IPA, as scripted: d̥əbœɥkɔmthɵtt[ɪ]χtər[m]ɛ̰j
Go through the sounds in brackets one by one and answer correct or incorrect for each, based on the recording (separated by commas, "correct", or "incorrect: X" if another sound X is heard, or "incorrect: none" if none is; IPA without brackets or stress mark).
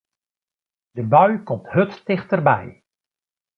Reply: correct, incorrect: b